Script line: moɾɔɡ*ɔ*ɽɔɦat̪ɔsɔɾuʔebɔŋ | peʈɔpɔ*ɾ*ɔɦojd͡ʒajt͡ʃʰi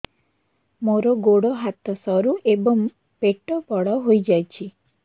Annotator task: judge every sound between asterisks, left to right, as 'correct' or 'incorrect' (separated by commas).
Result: incorrect, incorrect